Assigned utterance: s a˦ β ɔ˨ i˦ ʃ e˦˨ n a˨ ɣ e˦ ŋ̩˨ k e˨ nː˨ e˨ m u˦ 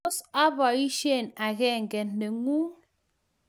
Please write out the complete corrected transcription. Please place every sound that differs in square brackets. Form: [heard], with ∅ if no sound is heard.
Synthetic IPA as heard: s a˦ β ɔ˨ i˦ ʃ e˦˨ n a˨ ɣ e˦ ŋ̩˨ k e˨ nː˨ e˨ [ŋ] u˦